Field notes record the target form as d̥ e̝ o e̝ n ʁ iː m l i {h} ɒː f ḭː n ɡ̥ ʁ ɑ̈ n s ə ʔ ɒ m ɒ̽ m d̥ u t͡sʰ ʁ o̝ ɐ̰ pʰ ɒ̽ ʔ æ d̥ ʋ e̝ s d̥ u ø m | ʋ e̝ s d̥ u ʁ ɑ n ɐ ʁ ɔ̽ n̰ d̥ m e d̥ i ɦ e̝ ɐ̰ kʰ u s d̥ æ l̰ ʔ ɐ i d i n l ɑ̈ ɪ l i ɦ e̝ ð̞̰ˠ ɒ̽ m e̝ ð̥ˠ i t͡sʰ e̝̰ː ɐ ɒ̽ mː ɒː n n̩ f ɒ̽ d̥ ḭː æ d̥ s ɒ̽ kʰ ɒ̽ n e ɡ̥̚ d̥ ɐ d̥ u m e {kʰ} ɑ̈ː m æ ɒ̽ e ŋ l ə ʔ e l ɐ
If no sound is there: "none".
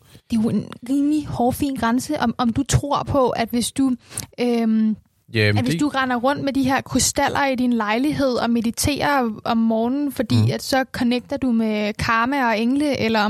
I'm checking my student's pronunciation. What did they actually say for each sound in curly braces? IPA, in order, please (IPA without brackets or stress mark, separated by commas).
h, kʰ